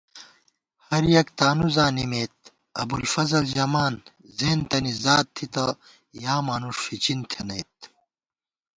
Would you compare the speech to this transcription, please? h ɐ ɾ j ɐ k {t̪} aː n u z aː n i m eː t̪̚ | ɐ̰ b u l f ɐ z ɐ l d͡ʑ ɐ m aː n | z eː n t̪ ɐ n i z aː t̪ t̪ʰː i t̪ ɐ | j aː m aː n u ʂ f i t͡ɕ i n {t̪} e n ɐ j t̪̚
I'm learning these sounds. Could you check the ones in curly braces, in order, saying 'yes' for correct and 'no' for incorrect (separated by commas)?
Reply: yes, no